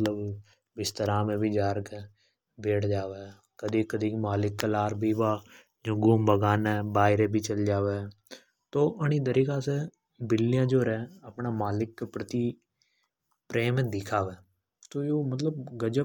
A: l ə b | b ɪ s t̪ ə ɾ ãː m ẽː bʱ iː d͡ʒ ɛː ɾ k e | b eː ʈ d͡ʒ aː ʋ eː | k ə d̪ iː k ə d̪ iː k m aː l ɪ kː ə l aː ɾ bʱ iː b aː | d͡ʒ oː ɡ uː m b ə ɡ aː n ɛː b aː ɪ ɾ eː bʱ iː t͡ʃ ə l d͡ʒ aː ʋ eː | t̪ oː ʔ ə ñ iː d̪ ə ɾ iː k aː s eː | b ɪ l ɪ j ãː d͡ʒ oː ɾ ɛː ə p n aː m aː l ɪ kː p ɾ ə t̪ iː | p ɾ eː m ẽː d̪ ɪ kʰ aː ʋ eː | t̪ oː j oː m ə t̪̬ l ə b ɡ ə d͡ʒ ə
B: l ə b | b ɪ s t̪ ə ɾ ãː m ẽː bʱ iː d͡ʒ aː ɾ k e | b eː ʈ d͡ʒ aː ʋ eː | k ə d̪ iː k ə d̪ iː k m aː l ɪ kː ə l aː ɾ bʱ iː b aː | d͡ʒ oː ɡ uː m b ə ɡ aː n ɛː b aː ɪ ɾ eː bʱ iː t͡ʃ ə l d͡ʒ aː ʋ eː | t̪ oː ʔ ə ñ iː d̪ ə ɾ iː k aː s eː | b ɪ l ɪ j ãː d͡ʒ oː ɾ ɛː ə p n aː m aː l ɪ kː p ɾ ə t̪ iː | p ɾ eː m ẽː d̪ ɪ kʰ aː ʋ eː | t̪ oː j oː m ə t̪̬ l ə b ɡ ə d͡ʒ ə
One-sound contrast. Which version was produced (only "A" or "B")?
B